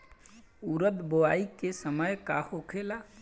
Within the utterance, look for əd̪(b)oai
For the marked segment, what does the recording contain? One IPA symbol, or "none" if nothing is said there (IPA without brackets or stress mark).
b